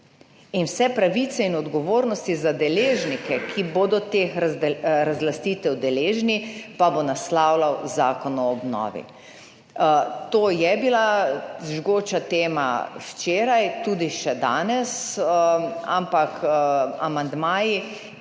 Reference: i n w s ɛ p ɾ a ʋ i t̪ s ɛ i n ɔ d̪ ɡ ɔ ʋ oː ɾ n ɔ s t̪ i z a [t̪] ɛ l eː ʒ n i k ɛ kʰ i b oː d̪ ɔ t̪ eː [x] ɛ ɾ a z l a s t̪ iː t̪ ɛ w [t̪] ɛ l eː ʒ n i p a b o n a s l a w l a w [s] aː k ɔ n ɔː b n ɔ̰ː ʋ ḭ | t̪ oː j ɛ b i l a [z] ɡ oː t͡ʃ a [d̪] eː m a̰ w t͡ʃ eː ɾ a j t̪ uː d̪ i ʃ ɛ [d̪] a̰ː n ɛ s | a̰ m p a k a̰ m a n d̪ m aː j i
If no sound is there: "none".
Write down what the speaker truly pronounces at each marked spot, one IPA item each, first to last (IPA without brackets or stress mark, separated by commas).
d̪, x, d̪, z, ʒ, t̪, d̪